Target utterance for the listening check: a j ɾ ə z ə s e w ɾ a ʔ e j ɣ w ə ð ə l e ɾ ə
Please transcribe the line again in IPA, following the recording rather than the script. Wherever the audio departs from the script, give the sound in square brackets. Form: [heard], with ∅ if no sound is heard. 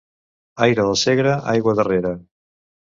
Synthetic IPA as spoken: a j ɾ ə [ð] ə s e [ɣ] ɾ [ə] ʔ [a] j ɣ w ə ð ə [r] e ɾ ə